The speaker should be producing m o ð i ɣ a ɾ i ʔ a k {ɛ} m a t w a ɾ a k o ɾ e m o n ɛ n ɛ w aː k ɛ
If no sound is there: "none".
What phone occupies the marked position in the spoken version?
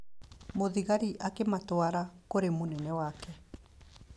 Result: e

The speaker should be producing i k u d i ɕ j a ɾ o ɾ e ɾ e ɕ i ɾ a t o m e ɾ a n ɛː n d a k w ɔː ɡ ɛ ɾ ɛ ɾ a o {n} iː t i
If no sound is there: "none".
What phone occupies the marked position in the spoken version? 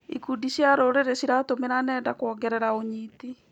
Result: ɲ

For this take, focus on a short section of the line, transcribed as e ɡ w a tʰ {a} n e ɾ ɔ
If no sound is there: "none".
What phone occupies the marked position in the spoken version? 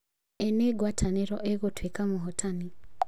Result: a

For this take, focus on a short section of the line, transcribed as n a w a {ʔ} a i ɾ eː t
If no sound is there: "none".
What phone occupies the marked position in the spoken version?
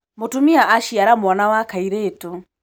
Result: k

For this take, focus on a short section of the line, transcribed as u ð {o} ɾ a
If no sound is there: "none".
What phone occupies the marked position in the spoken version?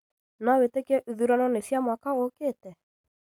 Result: u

